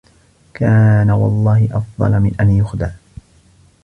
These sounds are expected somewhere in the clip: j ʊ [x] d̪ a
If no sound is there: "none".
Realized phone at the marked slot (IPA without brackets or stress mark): x